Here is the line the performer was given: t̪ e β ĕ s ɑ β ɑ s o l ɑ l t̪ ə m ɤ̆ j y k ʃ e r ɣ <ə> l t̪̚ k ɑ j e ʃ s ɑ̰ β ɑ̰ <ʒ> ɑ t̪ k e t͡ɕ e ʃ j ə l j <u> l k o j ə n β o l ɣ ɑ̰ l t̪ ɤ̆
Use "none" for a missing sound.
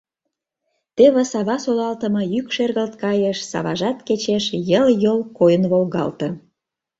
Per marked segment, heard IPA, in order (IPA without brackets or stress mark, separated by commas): ə, ʒ, o